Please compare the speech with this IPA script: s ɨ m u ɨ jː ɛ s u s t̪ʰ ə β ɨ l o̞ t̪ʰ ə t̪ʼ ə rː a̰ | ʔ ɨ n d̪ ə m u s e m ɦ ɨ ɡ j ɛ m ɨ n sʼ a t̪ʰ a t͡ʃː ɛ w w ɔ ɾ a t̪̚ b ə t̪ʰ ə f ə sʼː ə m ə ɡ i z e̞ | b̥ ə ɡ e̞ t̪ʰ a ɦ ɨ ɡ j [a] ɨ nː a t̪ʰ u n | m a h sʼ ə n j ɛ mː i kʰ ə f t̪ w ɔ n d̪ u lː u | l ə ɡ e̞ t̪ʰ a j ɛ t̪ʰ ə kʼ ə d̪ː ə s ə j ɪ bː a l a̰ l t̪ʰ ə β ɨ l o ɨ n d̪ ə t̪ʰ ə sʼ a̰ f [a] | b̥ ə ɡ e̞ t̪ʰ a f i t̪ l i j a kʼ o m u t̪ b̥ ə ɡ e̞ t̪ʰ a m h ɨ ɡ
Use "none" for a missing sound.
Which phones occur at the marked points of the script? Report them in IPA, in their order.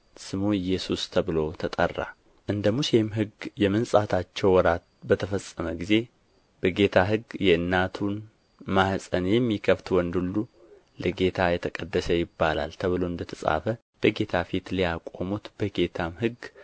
ɛ, ə

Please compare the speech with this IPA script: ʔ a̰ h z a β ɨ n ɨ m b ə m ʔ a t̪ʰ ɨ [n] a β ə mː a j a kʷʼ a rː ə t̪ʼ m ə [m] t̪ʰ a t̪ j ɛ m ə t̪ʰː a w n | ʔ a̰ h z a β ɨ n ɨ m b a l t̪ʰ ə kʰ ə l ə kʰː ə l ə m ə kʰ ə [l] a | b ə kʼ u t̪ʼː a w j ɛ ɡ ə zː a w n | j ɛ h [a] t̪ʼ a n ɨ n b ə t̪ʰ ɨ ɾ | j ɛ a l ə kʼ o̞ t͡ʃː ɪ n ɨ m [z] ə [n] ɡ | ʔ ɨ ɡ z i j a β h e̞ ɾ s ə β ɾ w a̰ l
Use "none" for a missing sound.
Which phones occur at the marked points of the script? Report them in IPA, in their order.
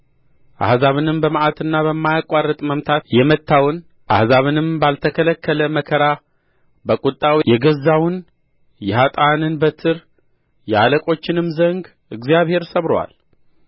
nː, m, ɾ, a, z, ŋ

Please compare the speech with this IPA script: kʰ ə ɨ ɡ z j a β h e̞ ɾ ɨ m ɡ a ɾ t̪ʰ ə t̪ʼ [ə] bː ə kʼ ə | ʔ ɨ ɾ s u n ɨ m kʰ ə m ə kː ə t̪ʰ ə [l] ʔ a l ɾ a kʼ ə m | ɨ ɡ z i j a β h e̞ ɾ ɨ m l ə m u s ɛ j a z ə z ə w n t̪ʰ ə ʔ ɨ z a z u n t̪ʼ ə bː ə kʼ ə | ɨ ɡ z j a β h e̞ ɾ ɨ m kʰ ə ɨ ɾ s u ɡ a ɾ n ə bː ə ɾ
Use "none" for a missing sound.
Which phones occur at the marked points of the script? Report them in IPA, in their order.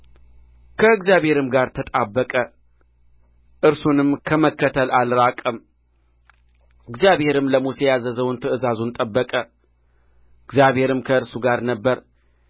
a, l

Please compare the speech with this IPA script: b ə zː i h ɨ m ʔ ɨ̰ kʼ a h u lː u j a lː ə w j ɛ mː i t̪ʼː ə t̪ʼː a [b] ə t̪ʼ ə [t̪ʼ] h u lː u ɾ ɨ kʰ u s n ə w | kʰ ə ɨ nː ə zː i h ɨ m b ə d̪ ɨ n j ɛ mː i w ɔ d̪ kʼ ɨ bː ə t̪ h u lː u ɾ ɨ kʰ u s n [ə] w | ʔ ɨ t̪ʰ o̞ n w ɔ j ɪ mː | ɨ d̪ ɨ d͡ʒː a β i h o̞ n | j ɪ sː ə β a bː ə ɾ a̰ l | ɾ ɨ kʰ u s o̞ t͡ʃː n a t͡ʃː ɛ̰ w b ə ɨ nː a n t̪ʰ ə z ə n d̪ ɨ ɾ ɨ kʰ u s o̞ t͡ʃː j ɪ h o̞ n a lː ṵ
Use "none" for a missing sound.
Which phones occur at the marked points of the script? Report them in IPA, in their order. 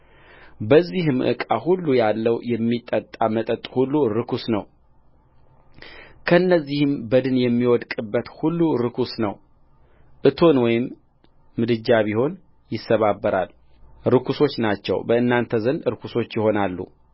m, t̪ʼ, ə

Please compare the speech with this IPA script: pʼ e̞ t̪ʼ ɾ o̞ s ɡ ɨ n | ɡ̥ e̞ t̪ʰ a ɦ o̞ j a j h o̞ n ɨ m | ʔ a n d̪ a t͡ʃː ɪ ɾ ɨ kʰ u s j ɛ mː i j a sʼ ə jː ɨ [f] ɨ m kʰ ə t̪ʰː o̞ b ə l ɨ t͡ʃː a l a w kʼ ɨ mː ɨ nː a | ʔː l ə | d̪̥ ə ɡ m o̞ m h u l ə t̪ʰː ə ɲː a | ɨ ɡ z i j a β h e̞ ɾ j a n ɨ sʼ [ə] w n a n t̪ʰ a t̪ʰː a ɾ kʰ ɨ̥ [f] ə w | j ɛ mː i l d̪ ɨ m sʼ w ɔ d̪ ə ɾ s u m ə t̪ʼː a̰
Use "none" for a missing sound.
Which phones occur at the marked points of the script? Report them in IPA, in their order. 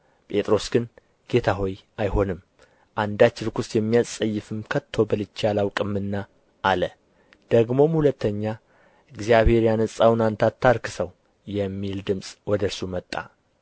f, a, s

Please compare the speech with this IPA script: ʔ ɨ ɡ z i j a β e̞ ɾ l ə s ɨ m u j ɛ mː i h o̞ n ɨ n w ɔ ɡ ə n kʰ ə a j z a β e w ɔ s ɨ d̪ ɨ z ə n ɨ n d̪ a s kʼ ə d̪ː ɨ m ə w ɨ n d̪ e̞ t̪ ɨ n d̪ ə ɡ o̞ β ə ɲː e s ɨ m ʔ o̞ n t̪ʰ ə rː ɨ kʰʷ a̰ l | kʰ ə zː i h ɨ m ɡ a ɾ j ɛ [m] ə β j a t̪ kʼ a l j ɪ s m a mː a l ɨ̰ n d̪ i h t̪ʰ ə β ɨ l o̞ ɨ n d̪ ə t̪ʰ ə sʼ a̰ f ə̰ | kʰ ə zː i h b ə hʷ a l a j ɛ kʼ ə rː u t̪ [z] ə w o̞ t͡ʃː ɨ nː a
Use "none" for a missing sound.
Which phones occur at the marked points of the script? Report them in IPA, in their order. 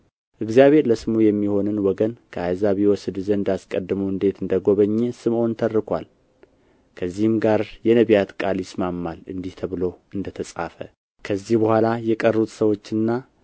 n, s

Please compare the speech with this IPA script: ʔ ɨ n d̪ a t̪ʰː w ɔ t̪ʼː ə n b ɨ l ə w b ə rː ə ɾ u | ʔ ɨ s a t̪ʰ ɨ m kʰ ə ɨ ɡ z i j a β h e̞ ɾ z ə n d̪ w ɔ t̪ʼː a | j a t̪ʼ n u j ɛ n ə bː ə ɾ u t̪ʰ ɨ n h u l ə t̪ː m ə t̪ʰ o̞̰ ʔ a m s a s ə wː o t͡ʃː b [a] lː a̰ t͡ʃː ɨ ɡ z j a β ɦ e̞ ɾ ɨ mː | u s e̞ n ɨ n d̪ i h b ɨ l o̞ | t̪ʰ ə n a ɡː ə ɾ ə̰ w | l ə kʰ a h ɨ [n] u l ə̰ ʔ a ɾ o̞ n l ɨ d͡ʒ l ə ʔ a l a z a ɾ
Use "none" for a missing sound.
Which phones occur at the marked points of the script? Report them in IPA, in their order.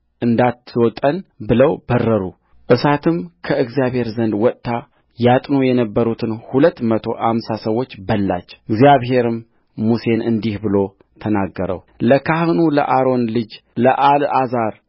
ə, n

